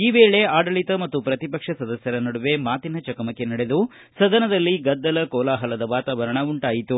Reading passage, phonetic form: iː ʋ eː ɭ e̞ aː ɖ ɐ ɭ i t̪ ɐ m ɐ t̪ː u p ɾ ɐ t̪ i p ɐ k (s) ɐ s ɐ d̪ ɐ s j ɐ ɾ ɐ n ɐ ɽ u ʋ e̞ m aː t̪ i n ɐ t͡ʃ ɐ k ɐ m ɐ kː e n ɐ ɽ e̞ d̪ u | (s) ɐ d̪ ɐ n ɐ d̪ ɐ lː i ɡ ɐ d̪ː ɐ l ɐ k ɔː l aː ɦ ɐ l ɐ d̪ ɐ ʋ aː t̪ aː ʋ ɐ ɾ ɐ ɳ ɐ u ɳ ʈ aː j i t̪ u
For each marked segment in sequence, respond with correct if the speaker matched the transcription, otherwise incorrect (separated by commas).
incorrect, correct